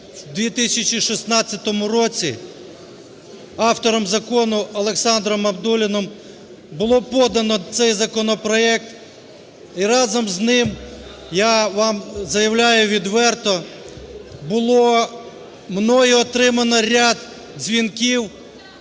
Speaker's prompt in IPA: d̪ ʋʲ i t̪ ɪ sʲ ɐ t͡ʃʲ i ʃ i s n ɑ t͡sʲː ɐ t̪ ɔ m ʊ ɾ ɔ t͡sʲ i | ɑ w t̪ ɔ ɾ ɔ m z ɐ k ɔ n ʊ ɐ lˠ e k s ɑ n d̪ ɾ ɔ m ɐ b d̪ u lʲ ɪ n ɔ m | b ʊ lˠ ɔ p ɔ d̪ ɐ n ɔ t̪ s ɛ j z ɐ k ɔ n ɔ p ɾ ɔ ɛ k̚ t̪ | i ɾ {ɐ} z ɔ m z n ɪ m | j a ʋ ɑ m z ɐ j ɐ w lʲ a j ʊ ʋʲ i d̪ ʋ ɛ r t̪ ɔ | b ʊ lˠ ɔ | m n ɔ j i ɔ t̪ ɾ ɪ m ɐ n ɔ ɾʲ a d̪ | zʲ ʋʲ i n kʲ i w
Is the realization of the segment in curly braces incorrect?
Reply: yes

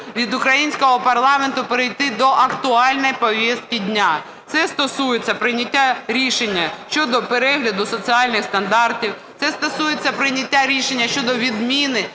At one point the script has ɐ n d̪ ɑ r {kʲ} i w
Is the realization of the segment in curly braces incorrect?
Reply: yes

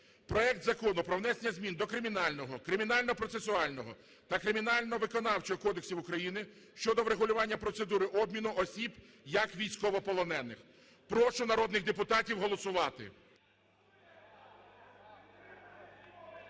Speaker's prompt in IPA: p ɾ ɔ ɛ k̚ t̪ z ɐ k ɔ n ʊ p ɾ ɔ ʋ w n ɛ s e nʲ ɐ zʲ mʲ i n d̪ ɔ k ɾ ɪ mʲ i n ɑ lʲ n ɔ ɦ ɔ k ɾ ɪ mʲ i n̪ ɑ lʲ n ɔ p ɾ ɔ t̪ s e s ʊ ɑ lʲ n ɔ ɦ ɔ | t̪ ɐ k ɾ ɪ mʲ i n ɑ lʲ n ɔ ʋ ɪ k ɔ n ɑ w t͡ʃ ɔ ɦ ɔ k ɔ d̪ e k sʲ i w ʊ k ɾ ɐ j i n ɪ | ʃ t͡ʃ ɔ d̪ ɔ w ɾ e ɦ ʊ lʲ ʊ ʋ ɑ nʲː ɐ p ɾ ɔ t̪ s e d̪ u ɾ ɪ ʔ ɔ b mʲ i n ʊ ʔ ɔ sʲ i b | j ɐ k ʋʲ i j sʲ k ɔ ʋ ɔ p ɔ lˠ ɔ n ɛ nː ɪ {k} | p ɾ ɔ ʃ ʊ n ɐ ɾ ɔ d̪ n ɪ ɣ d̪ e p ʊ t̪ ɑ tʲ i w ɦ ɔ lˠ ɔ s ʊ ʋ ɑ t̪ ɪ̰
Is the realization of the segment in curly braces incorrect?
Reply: yes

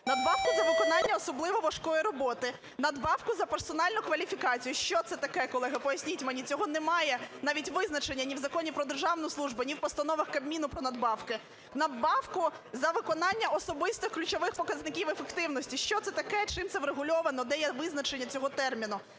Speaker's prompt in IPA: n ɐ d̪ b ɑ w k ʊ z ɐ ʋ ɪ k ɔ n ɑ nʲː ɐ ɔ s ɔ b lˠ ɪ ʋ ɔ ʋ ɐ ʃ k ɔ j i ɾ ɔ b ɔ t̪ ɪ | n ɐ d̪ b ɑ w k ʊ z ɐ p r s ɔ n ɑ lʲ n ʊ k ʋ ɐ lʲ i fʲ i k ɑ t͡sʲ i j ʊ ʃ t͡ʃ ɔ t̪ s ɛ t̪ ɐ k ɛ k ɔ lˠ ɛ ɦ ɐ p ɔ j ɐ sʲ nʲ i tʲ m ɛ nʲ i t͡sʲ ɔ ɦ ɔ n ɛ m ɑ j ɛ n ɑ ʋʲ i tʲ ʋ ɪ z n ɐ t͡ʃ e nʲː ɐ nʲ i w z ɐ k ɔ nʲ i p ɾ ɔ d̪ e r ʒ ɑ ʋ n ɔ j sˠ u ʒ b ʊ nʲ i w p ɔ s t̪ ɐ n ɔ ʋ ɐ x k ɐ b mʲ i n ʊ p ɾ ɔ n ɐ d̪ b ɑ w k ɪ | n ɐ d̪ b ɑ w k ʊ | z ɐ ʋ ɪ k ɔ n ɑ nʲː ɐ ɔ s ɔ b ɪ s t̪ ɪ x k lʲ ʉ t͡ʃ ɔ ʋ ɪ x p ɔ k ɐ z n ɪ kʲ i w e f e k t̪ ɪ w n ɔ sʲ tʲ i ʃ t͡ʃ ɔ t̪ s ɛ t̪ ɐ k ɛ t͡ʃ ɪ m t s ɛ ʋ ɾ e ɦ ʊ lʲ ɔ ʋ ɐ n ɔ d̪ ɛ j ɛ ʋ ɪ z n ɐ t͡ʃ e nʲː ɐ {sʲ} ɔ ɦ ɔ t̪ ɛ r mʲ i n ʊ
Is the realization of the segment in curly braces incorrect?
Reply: yes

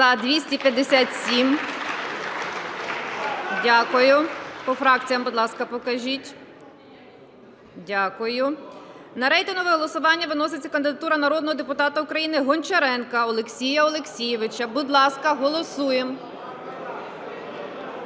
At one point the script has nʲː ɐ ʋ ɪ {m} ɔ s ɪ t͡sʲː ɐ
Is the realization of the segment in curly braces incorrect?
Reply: yes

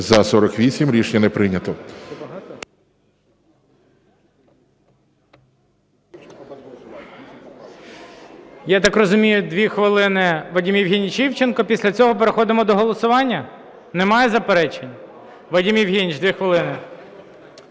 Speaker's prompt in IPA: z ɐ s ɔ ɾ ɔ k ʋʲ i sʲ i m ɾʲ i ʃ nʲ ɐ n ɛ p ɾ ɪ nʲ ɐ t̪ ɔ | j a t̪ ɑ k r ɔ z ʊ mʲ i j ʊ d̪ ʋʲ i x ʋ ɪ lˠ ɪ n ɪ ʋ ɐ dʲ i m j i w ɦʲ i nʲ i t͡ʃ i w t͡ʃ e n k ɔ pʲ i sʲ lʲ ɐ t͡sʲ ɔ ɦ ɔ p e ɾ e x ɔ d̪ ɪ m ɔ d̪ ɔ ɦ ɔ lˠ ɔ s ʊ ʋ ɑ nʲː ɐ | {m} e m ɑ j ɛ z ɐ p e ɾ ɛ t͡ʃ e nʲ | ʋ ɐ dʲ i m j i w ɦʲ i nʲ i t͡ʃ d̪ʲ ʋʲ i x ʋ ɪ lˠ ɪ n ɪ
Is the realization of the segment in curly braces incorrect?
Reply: yes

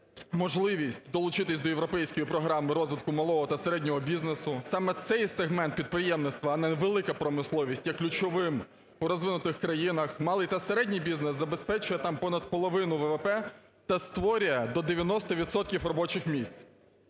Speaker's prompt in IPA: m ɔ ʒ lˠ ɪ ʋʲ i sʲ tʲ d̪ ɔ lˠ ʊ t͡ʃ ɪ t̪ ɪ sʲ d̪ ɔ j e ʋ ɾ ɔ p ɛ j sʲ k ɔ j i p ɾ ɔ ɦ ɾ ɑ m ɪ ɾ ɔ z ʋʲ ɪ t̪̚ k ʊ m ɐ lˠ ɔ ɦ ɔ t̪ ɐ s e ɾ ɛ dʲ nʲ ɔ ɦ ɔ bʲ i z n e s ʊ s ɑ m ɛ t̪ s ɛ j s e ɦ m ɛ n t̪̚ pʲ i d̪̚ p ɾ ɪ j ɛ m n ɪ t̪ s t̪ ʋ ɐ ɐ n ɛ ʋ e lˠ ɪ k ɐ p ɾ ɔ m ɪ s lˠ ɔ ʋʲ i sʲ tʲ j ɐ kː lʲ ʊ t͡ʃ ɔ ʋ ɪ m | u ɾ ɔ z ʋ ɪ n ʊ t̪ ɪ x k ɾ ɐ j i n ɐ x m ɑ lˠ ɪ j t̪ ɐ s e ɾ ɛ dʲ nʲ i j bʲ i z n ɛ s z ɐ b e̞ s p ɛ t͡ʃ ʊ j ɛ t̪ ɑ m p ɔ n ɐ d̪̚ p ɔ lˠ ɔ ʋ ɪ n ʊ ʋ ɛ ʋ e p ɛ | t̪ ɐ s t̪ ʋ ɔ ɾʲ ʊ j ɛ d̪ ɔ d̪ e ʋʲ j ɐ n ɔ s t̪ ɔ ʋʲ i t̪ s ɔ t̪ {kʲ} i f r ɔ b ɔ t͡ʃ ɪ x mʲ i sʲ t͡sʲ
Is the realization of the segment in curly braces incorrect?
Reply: no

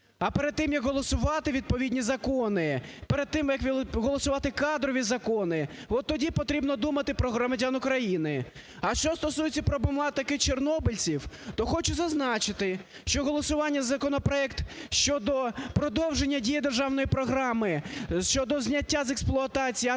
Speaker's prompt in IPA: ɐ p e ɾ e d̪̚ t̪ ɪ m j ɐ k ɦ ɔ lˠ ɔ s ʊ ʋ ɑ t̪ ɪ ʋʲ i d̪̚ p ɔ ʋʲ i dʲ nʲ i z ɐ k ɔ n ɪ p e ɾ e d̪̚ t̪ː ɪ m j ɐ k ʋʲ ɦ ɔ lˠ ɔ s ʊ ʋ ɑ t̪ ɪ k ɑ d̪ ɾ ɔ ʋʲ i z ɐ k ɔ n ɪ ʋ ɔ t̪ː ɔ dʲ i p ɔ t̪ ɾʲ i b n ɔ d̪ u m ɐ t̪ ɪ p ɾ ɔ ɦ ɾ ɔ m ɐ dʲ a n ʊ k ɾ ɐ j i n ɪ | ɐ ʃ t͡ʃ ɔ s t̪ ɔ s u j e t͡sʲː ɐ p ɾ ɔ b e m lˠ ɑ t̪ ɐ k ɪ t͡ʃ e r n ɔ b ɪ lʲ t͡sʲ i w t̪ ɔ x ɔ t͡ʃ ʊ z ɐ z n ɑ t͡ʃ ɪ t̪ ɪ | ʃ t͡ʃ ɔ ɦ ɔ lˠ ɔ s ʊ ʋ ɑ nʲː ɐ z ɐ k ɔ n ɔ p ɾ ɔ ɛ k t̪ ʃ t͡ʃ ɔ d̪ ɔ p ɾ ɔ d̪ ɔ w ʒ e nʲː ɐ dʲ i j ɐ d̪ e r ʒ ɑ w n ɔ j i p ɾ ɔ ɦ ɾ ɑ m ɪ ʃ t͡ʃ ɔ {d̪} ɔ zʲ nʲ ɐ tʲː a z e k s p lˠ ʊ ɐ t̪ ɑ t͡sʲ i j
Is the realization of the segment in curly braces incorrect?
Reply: no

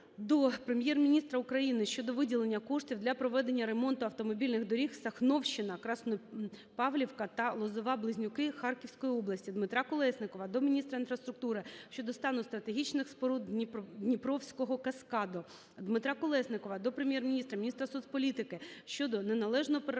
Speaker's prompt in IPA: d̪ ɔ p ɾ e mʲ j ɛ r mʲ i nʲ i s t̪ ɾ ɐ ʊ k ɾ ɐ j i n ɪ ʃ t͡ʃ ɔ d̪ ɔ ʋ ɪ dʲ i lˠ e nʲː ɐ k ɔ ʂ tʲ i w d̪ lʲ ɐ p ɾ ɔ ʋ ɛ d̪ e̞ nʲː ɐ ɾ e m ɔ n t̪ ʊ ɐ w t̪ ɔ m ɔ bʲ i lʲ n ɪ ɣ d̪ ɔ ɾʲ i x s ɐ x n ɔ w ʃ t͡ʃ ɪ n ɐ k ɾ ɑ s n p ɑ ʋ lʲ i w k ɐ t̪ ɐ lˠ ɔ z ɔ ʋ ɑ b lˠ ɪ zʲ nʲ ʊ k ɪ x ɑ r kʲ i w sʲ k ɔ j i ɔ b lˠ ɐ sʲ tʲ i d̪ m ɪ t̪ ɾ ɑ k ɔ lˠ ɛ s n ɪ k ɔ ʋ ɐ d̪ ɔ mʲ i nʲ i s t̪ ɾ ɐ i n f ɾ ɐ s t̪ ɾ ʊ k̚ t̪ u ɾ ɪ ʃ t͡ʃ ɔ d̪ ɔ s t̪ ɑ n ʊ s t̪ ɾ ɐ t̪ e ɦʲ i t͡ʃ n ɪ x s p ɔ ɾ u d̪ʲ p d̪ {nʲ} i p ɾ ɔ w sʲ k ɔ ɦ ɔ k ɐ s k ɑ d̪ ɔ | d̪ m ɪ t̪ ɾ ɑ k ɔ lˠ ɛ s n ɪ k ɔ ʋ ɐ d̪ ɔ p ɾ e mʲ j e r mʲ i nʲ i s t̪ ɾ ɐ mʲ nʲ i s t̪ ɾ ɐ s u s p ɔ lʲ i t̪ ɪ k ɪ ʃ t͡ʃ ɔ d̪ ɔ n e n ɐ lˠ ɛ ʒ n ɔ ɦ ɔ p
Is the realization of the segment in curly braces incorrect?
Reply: no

